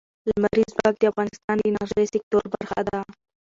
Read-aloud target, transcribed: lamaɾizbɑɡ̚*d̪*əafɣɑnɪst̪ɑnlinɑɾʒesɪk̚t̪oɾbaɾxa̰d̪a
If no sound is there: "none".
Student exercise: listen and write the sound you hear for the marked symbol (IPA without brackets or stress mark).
d̪